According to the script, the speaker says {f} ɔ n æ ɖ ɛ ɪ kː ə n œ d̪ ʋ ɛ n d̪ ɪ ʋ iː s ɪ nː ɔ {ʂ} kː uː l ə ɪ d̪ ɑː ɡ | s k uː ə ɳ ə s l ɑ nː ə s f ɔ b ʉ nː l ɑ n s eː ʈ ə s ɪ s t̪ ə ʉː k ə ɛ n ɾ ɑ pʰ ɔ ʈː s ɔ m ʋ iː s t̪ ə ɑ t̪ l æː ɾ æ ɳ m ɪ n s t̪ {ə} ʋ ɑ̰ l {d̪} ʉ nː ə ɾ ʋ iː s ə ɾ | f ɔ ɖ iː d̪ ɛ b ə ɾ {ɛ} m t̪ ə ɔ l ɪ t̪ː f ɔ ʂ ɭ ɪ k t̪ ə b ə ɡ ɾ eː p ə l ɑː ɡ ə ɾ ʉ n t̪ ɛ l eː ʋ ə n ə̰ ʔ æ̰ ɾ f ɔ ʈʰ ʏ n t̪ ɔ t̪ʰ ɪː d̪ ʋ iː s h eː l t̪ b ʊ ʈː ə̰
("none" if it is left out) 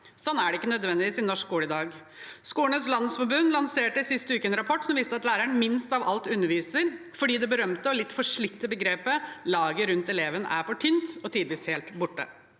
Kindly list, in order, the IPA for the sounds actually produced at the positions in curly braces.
s, ʂ, ɑ, t̪, œ

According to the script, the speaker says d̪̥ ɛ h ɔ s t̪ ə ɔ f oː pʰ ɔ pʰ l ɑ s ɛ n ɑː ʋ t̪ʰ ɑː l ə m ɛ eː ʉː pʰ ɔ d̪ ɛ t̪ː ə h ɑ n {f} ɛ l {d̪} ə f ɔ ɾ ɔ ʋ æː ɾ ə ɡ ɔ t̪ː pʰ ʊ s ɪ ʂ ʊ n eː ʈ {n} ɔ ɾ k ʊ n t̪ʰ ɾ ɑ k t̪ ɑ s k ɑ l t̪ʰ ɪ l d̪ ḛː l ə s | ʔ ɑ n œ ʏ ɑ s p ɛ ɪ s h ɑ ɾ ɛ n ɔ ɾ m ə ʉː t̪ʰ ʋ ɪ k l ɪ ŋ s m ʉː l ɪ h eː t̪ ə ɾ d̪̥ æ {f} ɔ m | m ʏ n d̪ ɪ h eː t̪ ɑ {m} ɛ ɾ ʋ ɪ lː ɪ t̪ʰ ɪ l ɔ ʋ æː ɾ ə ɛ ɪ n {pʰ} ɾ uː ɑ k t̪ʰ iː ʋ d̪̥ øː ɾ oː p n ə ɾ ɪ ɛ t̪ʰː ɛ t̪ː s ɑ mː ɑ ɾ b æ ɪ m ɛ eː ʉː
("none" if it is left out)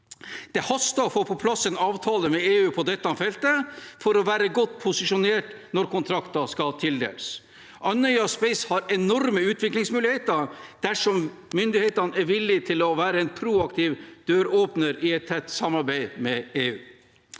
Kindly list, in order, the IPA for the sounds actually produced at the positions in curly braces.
f, t̪, n, ʂ, n, pʰ

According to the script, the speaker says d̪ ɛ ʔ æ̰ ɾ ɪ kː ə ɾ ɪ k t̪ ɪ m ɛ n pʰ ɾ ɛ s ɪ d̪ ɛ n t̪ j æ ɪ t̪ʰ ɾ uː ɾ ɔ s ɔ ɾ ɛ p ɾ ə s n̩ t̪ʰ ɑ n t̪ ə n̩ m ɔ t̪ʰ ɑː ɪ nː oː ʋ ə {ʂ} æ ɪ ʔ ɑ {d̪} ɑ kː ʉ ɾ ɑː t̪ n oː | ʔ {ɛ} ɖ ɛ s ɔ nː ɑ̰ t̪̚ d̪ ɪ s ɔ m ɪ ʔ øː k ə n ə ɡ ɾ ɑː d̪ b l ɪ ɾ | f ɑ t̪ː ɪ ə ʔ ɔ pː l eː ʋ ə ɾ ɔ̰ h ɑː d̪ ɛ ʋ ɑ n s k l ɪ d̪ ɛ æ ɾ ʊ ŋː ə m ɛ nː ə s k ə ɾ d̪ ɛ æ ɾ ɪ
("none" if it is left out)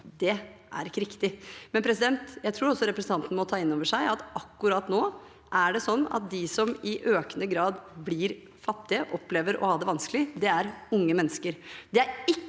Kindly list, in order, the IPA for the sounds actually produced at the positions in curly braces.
ʂ, t̪, æ

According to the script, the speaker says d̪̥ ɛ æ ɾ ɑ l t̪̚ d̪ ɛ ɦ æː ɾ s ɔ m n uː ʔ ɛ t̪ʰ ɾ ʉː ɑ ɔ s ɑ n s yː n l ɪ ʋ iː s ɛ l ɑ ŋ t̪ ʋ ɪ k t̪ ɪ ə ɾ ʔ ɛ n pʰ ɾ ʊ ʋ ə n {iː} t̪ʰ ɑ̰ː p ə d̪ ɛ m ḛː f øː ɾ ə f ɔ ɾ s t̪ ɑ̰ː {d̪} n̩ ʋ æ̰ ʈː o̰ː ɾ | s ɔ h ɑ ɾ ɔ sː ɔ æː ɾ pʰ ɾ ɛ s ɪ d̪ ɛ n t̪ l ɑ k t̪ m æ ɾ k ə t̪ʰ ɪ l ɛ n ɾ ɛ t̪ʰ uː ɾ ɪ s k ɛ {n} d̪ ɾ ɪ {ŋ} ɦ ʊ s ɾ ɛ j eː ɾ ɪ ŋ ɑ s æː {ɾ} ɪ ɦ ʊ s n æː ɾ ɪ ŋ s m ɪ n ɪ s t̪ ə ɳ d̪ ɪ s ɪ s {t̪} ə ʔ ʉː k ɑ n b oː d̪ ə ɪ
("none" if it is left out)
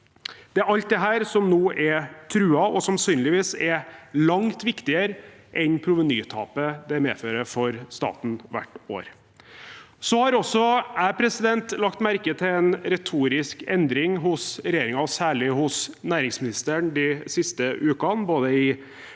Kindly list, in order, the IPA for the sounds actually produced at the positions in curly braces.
yː, t̪, n, ŋ, ɭ, t̪

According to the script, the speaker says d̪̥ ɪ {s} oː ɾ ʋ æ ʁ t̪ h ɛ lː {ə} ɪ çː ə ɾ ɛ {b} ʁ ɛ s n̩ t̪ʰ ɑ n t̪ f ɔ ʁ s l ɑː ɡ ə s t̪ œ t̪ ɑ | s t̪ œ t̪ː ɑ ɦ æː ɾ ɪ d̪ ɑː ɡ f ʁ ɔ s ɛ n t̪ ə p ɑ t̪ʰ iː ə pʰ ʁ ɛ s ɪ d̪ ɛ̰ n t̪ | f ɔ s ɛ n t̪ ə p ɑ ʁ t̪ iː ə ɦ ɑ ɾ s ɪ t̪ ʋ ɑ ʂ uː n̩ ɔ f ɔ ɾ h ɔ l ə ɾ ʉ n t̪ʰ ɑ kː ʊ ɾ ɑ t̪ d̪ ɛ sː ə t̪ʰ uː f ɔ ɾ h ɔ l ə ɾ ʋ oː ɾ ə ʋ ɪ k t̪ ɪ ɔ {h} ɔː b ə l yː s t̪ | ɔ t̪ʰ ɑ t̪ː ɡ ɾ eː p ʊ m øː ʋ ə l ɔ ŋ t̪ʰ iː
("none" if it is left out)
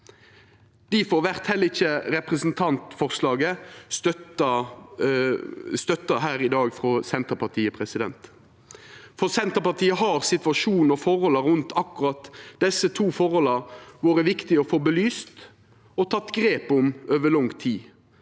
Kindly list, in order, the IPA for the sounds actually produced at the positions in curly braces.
f, ə, p, f

